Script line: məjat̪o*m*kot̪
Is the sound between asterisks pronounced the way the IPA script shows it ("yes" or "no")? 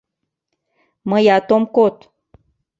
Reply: yes